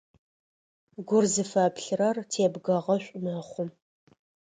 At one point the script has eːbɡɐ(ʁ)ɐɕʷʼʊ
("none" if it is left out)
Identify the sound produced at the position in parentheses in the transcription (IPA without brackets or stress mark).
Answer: ʁ